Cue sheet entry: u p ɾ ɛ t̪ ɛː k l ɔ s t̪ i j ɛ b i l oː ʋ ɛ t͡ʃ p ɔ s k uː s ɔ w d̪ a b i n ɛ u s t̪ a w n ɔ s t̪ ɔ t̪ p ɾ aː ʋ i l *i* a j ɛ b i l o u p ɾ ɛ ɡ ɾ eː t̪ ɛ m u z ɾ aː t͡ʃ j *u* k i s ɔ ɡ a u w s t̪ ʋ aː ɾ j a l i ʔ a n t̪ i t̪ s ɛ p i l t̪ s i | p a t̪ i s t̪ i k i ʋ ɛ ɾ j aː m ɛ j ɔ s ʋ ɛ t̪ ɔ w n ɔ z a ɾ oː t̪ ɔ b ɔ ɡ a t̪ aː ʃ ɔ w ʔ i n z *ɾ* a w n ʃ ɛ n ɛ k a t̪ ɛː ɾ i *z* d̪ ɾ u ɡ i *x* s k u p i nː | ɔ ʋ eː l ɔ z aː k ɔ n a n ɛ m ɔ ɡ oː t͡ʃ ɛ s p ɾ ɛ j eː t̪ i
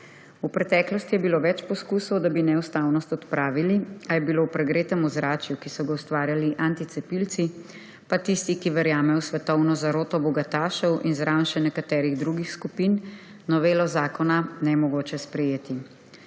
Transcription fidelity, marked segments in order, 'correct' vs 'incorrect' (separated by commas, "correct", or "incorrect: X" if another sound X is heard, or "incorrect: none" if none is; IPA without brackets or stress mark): correct, correct, correct, incorrect: ɣ, correct